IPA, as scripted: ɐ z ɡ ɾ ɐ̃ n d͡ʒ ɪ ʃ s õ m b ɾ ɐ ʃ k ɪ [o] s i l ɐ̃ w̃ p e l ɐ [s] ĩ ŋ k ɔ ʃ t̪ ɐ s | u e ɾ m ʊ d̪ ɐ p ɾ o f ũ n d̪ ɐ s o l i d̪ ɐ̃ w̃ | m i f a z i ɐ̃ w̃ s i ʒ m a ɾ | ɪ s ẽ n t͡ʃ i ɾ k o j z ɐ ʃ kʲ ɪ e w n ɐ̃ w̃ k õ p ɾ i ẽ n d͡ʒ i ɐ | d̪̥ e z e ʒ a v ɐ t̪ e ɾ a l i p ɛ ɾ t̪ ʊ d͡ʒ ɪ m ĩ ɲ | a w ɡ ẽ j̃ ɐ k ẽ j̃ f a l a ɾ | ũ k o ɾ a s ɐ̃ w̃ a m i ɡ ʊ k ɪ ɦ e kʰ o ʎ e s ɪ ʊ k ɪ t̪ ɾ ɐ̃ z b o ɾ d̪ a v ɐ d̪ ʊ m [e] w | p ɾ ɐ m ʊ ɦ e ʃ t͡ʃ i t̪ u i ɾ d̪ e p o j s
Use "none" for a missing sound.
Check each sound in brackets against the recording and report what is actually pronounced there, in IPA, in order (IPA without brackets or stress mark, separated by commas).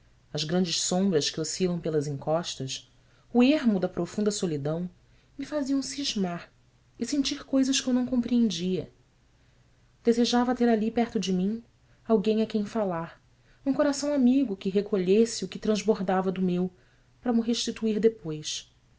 o, z, e